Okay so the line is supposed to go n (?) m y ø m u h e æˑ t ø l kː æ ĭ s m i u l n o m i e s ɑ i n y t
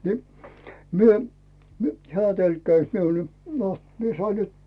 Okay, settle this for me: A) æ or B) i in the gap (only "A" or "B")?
B